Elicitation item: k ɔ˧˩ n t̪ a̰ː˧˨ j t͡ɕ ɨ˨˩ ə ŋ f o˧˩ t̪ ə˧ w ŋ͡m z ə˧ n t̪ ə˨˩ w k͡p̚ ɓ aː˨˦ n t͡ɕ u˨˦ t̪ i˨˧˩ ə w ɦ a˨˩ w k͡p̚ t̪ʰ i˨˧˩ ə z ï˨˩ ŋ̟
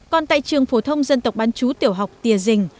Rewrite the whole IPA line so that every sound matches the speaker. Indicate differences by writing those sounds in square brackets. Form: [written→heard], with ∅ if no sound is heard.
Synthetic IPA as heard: k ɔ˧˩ n t̪ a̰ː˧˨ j t͡ɕ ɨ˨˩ ə ŋ f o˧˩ [t̪→t̪ʰ] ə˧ w ŋ͡m z ə˧ n t̪ ə˨˩ w k͡p̚ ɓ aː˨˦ n t͡ɕ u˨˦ t̪ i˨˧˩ ə w ɦ a˨˩ w k͡p̚ [t̪ʰ→t̪] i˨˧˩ ə z ï˨˩ ŋ̟